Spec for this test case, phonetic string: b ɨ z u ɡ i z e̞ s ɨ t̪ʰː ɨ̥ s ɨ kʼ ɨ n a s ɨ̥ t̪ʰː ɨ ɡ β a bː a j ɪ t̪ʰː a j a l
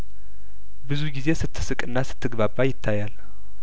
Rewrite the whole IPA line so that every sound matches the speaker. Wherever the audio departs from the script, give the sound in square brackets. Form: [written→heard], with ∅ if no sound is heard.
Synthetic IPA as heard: b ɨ z u ɡ i z e̞ s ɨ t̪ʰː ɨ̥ s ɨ kʼ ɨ [n→nː] a s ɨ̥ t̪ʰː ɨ ɡ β a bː a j ɪ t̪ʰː a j a l